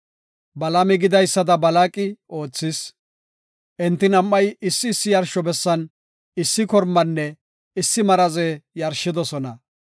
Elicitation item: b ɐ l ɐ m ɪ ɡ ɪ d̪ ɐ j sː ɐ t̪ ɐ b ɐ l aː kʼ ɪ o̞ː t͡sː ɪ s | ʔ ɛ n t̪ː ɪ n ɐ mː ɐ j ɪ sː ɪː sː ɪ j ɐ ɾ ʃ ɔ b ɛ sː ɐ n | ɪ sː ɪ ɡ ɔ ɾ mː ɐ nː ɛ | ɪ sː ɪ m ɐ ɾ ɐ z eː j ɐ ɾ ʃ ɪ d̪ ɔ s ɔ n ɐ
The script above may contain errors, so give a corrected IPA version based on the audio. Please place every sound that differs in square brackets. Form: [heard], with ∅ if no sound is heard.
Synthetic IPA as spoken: b ɐ l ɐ m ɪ ɡ ɪ d̪ ɐ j sː ɐ [d̪] ɐ b ɐ l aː kʼ ɪ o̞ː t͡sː ɪ s | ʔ ɛ n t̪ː ɪ n ɐ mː ɐ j ɪ sː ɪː sː ɪ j ɐ ɾ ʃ ɔ b ɛ sː ɐ n | ɪ sː ɪ [k] ɔ ɾ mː ɐ nː ɛ | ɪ sː ɪ m ɐ ɾ ɐ z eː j ɐ ɾ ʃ ɪ d̪ ɔ s ɔ n ɐ

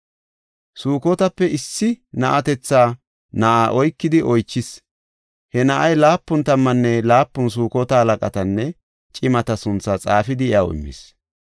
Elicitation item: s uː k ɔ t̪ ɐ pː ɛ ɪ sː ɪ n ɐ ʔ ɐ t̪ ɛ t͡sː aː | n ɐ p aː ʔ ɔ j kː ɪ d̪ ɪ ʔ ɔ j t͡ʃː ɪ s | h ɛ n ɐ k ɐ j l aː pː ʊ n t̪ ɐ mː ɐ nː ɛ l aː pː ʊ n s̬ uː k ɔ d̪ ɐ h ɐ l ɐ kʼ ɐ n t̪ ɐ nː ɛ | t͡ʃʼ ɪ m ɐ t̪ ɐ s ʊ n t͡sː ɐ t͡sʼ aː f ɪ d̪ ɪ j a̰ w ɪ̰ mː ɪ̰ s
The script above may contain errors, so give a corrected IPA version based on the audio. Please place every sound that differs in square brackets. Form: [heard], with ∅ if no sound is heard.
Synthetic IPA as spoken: s uː k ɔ t̪ ɐ pː ɛ ɪ sː ɪ n ɐ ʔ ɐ t̪ ɛ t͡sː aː | n ɐ [ʔ] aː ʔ ɔ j kː ɪ d̪ ɪ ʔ ɔ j t͡ʃː ɪ s | h ɛ n ɐ [ʔ] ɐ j l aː pː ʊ n t̪ ɐ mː ɐ nː ɛ l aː pː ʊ n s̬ uː k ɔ [t̪] ɐ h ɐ l ɐ kʼ ɐ [∅] t̪ ɐ nː ɛ | t͡ʃʼ ɪ m ɐ t̪ ɐ s ʊ n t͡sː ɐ t͡sʼ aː f ɪ d̪ ɪ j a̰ w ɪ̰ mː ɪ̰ s

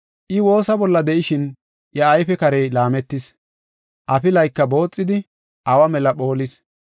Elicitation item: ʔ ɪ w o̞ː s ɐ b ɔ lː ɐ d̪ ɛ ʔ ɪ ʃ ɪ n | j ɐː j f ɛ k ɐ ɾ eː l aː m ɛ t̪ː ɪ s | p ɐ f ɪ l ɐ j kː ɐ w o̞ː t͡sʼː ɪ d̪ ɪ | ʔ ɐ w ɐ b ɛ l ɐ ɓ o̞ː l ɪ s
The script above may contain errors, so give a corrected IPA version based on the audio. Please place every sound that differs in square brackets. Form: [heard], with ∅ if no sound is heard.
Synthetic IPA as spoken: ʔ ɪ w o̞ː s ɐ b ɔ lː ɐ d̪ ɛ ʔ ɪ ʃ ɪ n | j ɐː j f ɛ k ɐ ɾ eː l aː m ɛ t̪ː ɪ s | [ʔ] ɐ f ɪ l ɐ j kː ɐ [b] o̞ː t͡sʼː ɪ d̪ ɪ | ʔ ɐ w ɐ [m] ɛ l ɐ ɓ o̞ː l ɪ s

